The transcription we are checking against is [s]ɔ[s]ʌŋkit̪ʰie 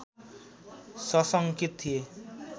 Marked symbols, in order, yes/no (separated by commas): yes, yes